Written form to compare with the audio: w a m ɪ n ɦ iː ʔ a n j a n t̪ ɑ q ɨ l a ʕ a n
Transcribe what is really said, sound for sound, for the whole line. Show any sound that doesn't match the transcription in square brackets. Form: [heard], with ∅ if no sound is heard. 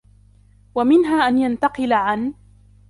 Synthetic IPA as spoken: w a m ɪ n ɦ [aː] ʔ a n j a n t̪ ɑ q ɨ l a ʕ a n